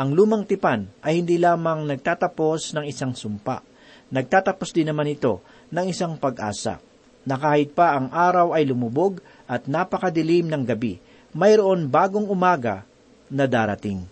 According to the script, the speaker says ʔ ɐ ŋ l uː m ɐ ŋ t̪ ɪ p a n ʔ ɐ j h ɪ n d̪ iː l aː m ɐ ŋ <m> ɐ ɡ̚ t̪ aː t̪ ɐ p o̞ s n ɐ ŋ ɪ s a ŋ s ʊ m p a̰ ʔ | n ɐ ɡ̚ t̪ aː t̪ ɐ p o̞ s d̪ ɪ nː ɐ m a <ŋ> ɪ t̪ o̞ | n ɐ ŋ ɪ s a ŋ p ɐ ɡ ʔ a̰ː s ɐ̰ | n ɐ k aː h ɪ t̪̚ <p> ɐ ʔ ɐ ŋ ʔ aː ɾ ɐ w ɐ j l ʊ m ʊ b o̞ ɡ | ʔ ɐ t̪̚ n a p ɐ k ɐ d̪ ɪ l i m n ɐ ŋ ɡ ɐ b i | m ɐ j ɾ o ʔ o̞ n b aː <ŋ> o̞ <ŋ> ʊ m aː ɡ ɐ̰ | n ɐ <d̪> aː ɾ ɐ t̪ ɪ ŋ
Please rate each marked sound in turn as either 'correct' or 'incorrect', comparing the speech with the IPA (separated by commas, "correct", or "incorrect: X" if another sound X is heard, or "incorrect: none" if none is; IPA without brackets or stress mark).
incorrect: n, incorrect: n, correct, incorrect: ɡ, correct, correct